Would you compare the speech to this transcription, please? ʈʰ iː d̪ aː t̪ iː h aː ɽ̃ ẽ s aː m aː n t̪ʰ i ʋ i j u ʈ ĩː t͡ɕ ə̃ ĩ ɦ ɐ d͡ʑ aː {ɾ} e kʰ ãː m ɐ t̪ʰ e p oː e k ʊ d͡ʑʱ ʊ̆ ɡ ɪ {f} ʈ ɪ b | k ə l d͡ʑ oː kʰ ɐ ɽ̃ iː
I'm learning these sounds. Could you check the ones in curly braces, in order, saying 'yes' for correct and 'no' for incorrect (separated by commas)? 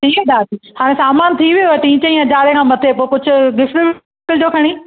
yes, yes